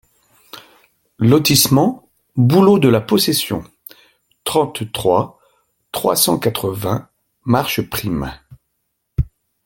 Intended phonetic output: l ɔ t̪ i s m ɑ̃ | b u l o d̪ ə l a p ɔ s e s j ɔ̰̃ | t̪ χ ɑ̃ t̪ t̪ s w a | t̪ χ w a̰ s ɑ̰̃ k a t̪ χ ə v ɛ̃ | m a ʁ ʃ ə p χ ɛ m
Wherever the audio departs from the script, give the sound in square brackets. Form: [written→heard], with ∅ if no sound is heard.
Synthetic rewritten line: l ɔ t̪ i s m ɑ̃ | b u l o d̪ ə l a p ɔ s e s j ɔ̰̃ | t̪ χ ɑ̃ t̪ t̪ [s→χ] w a | t̪ χ w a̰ s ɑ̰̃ k a t̪ χ ə v ɛ̃ | m a ʁ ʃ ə p χ [ɛ→i] m